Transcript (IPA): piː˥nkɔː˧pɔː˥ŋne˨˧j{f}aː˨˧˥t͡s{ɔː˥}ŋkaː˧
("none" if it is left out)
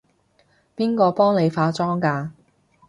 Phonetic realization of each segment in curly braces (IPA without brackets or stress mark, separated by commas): f, ɔː˥